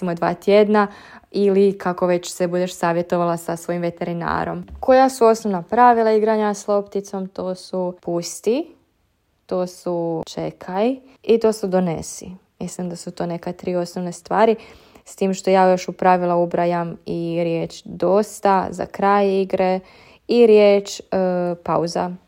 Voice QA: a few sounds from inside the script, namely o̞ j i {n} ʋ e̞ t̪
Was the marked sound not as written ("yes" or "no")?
yes